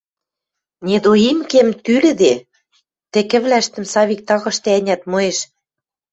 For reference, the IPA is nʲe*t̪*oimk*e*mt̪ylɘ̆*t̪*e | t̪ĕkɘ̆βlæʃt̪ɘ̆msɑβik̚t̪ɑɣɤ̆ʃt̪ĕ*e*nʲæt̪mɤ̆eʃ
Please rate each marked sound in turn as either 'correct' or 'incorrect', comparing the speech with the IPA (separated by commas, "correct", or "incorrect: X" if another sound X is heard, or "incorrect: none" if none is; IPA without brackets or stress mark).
incorrect: d̪, correct, incorrect: d̪, incorrect: æ